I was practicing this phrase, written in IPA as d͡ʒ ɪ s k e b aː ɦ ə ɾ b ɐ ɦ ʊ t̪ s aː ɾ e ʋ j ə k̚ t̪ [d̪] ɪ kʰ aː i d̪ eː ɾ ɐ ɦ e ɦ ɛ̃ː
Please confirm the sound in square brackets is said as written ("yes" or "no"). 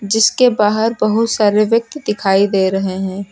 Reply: yes